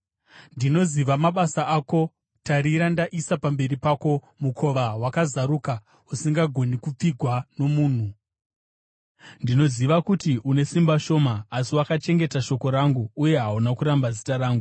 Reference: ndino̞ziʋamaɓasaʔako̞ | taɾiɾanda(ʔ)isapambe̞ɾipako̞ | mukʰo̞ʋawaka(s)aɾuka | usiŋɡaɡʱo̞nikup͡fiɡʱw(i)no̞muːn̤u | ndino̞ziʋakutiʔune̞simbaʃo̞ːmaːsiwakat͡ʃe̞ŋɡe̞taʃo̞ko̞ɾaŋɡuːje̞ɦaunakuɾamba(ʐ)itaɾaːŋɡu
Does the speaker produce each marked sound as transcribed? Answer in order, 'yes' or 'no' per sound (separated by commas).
yes, no, no, no